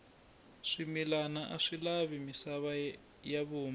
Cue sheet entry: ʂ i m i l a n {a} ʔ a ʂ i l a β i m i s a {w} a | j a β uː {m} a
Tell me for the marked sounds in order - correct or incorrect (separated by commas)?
correct, incorrect, correct